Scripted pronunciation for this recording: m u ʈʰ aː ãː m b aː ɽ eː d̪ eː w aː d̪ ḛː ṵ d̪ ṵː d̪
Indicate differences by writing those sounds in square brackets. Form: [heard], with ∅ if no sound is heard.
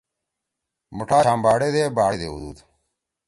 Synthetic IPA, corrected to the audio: m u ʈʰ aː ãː m b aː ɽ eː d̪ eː [b] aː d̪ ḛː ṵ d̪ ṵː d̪